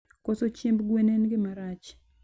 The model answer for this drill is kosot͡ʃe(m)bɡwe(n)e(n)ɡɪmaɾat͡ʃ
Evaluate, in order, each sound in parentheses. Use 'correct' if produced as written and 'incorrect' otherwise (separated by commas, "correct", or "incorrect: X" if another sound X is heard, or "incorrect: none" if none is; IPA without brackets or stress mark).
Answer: correct, correct, correct